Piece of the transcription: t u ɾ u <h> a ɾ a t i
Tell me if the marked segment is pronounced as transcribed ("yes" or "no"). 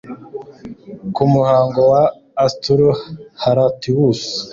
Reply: yes